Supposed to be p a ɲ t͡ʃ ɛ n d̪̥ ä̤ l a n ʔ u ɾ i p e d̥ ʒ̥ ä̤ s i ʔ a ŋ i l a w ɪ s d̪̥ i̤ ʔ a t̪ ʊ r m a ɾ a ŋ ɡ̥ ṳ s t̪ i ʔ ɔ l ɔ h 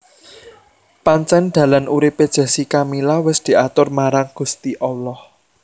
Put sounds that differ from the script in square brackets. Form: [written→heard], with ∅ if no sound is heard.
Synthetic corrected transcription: p a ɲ t͡ʃ ɛ n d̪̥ ä̤ l a n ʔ u ɾ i p e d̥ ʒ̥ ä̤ s i [ʔ→k] a [ŋ→m] i l a w ɪ s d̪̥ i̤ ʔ a t̪ ʊ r m a ɾ a ŋ ɡ̥ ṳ s t̪ i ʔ ɔ l ɔ h